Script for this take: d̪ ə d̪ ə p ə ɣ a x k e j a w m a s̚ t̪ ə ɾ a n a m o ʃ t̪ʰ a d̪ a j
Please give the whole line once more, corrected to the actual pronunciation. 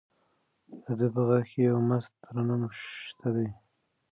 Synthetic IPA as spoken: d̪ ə d̪ ə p ə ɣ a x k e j a w m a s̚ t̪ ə ɾ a n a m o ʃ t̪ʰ a d̪ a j